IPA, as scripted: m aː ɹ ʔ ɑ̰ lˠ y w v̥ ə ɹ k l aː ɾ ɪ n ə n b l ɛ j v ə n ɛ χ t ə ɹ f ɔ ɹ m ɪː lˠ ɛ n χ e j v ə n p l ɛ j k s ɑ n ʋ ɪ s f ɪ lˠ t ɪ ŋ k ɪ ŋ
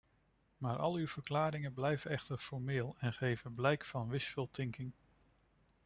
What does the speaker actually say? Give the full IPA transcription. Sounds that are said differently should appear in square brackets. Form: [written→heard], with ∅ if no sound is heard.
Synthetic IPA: m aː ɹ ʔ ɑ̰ lˠ y w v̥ ə ɹ k l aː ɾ ɪ [n→ŋ] ə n b l ɛ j v ə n ɛ χ t ə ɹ f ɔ ɹ m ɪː lˠ ɛ n χ e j v ə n [p→b] l ɛ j k [s→f] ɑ n ʋ ɪ s f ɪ lˠ t ɪ ŋ k ɪ ŋ